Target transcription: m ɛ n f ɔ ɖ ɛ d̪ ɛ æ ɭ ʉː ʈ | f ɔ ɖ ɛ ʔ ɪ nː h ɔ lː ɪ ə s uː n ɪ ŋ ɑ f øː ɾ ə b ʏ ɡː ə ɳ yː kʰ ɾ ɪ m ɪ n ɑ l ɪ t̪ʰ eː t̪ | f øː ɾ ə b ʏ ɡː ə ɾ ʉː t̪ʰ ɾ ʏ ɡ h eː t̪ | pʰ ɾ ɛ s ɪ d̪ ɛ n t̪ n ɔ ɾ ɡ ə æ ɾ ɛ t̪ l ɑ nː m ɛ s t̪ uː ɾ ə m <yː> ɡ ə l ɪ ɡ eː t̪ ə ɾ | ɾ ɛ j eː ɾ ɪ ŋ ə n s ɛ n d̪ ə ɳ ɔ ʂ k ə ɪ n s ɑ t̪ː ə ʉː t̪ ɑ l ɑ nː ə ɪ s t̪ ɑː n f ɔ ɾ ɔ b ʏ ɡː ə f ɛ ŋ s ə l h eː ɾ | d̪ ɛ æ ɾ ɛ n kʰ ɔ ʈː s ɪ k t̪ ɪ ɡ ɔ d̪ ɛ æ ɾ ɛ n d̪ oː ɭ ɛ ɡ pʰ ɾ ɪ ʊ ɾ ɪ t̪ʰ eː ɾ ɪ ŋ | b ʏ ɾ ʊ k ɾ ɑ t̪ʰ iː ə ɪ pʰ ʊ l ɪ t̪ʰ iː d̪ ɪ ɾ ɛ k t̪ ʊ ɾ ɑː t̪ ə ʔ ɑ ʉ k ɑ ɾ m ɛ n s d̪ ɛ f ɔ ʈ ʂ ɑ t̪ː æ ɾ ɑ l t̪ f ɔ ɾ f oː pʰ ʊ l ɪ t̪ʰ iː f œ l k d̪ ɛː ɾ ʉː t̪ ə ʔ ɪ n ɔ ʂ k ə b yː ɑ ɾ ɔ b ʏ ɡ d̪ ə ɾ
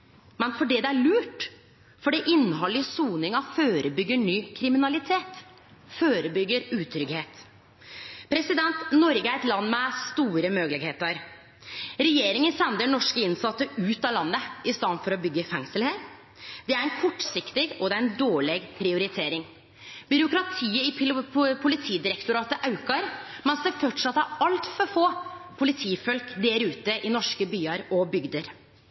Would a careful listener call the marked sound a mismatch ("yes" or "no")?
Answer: yes